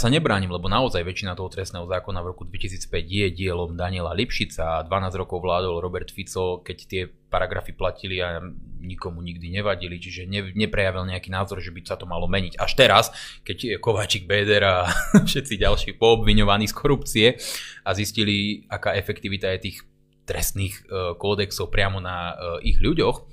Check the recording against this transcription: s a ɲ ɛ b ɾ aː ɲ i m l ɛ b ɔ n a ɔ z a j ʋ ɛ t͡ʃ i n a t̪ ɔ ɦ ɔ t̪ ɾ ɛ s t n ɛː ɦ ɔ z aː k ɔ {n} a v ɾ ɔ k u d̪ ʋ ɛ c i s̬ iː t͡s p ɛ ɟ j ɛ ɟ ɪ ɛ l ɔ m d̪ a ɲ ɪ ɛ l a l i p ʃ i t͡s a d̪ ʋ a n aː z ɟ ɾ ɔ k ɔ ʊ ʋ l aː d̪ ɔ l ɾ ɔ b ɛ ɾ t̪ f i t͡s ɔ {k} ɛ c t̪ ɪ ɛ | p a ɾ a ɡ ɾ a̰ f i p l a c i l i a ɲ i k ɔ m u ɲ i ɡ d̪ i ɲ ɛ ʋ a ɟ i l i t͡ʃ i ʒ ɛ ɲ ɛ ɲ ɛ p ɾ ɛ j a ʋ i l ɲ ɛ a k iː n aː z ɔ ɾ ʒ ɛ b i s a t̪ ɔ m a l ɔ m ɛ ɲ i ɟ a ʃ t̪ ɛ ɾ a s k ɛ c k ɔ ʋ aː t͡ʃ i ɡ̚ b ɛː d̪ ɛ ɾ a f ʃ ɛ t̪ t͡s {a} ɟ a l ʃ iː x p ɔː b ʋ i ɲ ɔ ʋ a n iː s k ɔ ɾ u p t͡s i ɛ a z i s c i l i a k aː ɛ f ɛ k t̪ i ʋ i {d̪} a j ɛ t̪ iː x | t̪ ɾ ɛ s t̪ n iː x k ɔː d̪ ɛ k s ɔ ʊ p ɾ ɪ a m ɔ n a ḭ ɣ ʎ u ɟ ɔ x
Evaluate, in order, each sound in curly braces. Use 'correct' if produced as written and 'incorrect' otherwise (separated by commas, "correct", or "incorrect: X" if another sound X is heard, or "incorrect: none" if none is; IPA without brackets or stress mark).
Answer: correct, correct, incorrect: i, incorrect: t̪